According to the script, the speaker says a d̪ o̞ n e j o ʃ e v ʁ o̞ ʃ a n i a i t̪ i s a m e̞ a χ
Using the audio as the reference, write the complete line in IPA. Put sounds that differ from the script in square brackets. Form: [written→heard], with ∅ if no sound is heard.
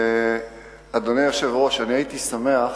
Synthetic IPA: a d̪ o̞ n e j o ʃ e v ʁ o̞ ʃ a n i a i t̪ i s a m e̞ a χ

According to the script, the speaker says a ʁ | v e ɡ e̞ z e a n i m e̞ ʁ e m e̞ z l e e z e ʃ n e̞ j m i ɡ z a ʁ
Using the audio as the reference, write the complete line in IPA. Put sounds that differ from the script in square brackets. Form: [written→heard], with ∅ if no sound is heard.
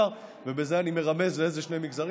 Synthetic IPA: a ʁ | v e [ɡ→b] e̞ z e a n i m e̞ ʁ [e→a] m e̞ z l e e z e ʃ n e̞ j m i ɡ z a ʁ

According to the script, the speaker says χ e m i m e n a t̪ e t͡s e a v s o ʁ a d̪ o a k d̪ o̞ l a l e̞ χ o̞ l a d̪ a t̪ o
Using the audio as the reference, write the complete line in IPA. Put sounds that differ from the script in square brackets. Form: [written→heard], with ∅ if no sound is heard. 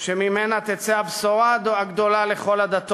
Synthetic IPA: [χ→ʃ] e m i m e n a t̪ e t͡s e a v s o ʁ a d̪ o a [k→ɡ] d̪ o̞ l a l e̞ χ o̞ l a d̪ a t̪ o

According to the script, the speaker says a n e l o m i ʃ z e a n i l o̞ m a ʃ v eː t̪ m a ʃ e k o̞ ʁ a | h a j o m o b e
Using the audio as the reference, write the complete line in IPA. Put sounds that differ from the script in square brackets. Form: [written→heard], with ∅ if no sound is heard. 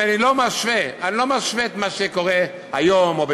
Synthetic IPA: a n [e→i] l o m [i→a] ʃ [z→v] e a n i l o̞ m a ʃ v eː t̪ m a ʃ e k o̞ ʁ [a→e] | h a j o m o b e

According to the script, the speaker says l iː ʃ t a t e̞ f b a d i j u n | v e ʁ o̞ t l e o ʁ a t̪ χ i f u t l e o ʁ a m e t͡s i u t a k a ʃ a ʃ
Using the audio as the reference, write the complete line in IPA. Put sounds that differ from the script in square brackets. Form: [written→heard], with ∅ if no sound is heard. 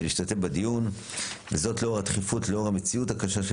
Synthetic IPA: l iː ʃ t a t e̞ f b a d i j u n | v e [ʁ→z] o̞ t l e o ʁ a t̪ χ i f u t l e o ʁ a m e t͡s i u t a k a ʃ a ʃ

